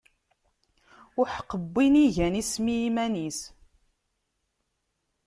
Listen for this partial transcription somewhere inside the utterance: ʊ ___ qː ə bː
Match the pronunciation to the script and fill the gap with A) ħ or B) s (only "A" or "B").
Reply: A